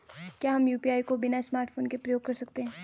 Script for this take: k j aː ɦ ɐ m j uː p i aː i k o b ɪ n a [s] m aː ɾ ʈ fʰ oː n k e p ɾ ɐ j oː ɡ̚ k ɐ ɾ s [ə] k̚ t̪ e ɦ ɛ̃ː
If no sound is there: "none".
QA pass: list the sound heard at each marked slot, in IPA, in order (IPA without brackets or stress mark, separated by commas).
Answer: s, ɐ